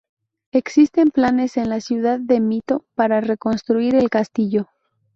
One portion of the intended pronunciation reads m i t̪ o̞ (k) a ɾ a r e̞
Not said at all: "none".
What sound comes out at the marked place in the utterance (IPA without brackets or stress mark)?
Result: p